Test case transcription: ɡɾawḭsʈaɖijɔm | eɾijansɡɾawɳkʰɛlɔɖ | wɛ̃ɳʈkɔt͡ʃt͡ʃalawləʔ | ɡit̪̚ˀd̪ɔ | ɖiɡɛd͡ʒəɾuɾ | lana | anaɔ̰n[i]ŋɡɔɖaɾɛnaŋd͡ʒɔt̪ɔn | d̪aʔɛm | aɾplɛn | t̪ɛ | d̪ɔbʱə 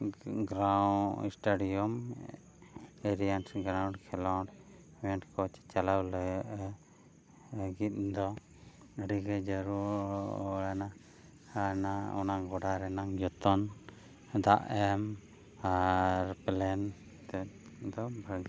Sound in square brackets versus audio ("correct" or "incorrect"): incorrect